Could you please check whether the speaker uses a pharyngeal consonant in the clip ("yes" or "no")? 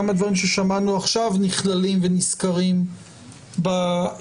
no